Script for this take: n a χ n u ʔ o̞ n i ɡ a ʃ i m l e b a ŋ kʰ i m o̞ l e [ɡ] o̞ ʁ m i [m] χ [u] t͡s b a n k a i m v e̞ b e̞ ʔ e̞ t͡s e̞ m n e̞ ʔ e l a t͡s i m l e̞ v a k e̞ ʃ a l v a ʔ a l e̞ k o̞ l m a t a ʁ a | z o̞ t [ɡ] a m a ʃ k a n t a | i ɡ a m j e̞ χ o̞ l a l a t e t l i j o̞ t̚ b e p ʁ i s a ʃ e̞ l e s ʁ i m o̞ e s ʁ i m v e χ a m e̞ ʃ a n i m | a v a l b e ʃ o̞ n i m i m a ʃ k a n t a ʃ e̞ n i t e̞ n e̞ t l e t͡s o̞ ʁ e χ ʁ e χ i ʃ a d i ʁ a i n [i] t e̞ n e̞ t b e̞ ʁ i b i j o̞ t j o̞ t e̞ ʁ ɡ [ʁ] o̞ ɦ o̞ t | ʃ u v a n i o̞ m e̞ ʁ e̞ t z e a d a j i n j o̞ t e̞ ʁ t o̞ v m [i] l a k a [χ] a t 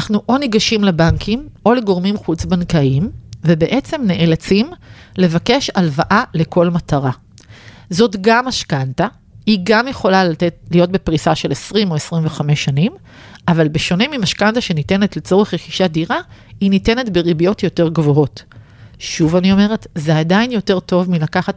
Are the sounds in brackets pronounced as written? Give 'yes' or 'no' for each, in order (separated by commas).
yes, yes, yes, yes, yes, no, yes, yes